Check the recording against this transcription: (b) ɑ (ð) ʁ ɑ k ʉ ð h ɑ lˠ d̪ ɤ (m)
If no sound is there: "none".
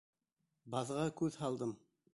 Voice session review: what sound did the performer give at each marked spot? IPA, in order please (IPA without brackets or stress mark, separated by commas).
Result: b, ð, m